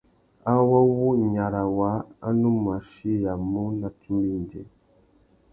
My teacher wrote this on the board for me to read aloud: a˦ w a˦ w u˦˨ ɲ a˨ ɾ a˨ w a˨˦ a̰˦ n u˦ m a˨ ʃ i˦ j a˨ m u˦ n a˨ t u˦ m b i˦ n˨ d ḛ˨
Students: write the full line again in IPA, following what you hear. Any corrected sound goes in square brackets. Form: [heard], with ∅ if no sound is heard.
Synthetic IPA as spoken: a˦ w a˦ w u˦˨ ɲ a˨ ɾ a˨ w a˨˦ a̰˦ n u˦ m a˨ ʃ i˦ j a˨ m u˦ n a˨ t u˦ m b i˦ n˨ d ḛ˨